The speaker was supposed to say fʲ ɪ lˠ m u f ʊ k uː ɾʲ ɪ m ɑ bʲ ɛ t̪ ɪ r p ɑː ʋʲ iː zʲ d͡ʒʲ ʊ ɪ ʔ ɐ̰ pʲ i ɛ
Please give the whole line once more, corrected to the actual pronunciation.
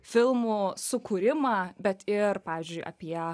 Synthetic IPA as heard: fʲ ɪ lˠ m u s ʊ k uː ɾʲ ɪ m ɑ bʲ ɛ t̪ ɪ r p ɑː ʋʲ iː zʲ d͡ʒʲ ʊ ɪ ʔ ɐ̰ pʲ i ɛ

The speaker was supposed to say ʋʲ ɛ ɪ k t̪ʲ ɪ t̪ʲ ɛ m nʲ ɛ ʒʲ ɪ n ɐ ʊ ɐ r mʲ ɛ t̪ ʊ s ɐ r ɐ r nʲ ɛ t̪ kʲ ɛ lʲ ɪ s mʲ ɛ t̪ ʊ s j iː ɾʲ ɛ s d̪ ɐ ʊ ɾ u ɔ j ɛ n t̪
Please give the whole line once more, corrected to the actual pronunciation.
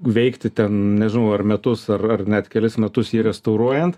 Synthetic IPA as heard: ʋʲ ɛ ɪ k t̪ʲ ɪ t̪ʲ ɛ n nʲ ɛ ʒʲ ɪ n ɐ ʊ ɐ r mʲ ɛ t̪ ʊ s ɐ r ɐ r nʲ ɛ t̪ kʲ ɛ lʲ ɪ s mʲ ɛ t̪ ʊ s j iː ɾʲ ɛ s t̪ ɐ ʊ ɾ u ɔ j ɛ n t̪

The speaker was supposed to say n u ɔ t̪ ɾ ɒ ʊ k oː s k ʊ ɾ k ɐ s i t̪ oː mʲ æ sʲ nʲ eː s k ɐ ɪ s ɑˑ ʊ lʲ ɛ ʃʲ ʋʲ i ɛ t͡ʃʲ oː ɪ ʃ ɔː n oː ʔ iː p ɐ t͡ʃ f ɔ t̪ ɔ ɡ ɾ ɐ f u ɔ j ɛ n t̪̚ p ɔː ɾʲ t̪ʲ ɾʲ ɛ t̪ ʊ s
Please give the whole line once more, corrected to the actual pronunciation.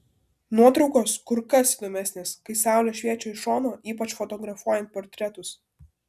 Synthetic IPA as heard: n u ɔ t̪ ɾ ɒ ʊ k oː s k ʊ ɾ k ɐ s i d̪ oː mʲ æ sʲ nʲ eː s k ɐ ɪ s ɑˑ ʊ lʲ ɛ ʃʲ ʋʲ i ɛ t͡ʃʲ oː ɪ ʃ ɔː n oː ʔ iː p ɐ t͡ʃ f ɔ t̪ ɔ ɡ ɾ ɐ f u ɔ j ɛ n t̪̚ p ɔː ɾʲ t̪ʲ ɾʲ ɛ t̪ ʊ s

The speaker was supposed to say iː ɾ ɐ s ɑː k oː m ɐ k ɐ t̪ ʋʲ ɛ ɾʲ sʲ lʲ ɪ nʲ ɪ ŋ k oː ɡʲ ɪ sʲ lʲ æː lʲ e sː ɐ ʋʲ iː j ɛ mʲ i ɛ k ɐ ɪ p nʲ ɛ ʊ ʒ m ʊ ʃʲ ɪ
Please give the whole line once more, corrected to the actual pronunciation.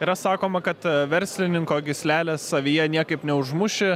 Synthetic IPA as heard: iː ɾ ɐ s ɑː k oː m ɐ k ɐ t̪ ʋʲ ɛ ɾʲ sʲ lʲ ɪ nʲ ɪ ŋ k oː ɡʲ ɪ sʲ lʲ æː lʲ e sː ɐ ʋʲ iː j ɛ nʲ i ɛ k ɐ ɪ p nʲ ɛ ʊ ʒ m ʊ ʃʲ ɪ

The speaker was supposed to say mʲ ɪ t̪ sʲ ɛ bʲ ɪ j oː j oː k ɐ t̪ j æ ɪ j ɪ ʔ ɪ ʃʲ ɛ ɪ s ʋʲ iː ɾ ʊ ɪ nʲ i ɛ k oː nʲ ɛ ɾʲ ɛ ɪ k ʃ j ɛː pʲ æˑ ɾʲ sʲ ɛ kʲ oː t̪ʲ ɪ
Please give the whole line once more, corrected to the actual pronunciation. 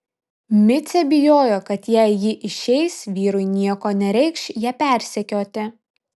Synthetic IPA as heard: mʲ ɪ t̪ sʲ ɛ bʲ ɪ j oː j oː k ɐ t̪ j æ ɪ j ɪ ʔ ɪ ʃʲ ɛ ɪ s ʋʲ iː ɾ ʊ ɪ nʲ i ɛ k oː nʲ ɛ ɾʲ ɛ ɪ k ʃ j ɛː pʲ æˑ ɾʲ sʲ ɛ kʲ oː t̪ʲ ɪ

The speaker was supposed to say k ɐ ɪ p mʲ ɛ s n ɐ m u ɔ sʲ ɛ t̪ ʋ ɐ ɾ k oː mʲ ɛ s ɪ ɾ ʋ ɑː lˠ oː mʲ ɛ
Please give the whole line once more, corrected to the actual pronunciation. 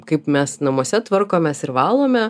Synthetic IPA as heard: k ɐ ɪ p mʲ ɛ s n ɐ m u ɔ sʲ ɛ t̪ ʋ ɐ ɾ k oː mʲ ɛ s ɪ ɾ ʋ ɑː lˠ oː mʲ ɛ

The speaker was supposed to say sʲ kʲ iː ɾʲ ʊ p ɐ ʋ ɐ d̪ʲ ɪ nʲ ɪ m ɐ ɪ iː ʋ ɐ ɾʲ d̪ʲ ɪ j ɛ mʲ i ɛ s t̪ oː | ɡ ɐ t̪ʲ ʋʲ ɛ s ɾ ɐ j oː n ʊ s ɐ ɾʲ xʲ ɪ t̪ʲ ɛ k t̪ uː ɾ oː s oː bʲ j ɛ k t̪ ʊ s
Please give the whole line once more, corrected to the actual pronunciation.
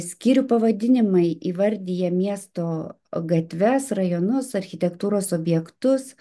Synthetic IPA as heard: sʲ kʲ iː ɾʲ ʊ p ɐ ʋ ɐ d̪ʲ ɪ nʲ ɪ m ɐ ɪ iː ʋ ɐ ɾʲ d̪ʲ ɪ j ɛ mʲ i ɛ s t̪ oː | ɡ ɐ t̪ʲ ʋʲ ɛ s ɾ ɐ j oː n ʊ s ɐ ɾʲ xʲ ɪ t̪ʲ ɛ k t̪ uː ɾ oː s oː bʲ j ɛ k t̪ ʊ s

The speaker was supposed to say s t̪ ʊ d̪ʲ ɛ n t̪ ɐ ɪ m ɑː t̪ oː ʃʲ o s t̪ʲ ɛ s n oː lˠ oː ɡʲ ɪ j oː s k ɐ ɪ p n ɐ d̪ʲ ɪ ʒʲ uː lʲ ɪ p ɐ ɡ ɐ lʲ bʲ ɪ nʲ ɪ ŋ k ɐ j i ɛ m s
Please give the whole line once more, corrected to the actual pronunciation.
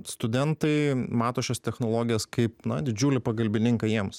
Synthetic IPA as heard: s t̪ ʊ d̪ʲ ɛ n t̪ ɐ ɪ m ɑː t̪ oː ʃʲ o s t̪ʲ ɛ x n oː lˠ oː ɡʲ ɪ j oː s k ɐ ɪ p n ɐ d̪ʲ ɪ d͡ʒʲ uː lʲ ɪ p ɐ ɡ ɐ lʲ bʲ ɪ nʲ ɪ ŋ k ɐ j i ɛ m s

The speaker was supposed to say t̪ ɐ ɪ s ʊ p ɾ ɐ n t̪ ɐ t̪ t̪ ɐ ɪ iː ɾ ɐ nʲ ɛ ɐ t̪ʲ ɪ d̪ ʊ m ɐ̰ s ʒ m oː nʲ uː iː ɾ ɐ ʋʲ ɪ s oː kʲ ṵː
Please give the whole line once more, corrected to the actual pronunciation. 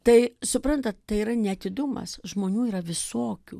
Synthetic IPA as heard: t̪ ɐ ɪ s ʊ p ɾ ɐ n t̪ ɐ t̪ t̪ ɐ ɪ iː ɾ ɐ nʲ ɛ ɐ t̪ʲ ɪ d̪ ʊ m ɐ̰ s ʒ m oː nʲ uː iː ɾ ɐ ʋʲ ɪ s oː kʲ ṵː

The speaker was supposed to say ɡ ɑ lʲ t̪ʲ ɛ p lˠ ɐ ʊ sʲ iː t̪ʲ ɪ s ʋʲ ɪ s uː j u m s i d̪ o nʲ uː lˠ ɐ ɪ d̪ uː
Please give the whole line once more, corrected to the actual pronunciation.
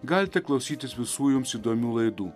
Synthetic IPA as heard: ɡ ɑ lʲ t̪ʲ ɛ k lˠ ɐ ʊ sʲ iː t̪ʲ ɪ s ʋʲ ɪ s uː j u m s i d̪ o mʲ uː lˠ ɐ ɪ d̪ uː

